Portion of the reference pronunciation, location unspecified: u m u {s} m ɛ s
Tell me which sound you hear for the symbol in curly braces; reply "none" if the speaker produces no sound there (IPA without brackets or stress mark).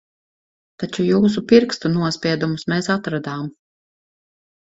s